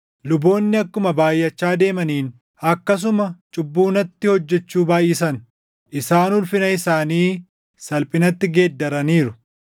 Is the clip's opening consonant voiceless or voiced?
voiced